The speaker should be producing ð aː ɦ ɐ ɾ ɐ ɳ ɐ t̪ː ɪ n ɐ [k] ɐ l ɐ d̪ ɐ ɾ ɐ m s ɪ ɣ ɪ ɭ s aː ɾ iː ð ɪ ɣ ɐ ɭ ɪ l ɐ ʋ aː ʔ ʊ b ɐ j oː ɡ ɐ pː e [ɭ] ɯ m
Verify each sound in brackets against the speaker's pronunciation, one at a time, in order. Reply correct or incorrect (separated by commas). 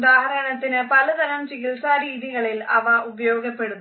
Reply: incorrect, incorrect